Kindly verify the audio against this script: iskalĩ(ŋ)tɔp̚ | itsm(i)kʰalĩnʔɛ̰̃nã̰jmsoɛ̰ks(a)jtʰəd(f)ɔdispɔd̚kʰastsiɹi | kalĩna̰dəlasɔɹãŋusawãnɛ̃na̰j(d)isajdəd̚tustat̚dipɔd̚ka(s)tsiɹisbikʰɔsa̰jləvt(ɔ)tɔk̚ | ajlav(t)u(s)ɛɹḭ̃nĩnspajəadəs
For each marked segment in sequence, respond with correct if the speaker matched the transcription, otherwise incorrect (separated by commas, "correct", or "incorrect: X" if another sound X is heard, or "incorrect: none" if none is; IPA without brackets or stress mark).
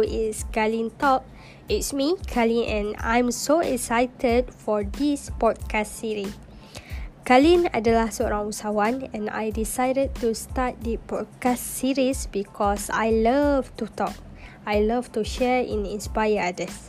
incorrect: n, correct, correct, correct, correct, correct, incorrect: u, correct, incorrect: ʃ